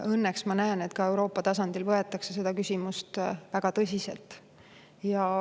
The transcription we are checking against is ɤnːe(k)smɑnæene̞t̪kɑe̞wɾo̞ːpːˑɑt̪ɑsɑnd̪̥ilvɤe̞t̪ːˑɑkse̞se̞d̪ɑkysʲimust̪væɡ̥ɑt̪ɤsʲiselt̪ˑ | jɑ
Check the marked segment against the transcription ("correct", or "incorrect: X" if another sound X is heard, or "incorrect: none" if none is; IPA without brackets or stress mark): correct